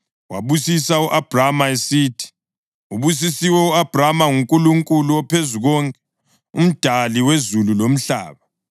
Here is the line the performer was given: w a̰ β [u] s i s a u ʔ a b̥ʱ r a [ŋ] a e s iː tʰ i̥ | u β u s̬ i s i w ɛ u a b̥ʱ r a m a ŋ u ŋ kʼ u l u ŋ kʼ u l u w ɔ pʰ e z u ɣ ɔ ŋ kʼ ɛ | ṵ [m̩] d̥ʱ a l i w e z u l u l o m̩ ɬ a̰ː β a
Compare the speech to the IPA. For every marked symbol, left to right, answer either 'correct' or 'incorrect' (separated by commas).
correct, incorrect, correct